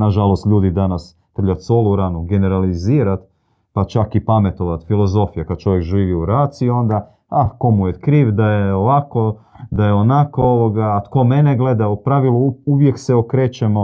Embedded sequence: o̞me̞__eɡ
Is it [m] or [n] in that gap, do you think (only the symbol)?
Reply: n